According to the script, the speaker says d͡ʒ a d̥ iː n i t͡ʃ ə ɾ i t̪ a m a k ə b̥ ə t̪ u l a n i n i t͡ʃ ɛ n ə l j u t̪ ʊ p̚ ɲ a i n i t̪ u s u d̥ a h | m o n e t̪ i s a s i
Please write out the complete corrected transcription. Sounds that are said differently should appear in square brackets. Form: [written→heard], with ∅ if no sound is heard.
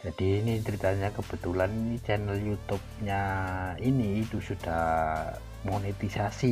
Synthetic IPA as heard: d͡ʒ a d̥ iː n i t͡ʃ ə ɾ i t̪ a [m→ɲ] a k ə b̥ ə t̪ u l a n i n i t͡ʃ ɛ n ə l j u t̪ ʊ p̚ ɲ a i n [i→iː] t̪ u s u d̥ a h | m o n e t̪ i s a s i